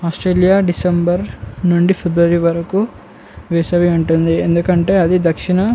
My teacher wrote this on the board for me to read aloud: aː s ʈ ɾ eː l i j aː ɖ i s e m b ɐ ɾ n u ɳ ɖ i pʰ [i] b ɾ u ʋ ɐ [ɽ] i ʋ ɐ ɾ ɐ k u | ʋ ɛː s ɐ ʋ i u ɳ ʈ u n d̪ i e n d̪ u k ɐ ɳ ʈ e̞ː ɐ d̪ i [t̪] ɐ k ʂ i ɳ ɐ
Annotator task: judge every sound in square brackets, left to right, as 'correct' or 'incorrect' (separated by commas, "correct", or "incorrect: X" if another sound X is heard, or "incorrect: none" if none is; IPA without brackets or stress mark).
incorrect: e, incorrect: ɾ, incorrect: d̪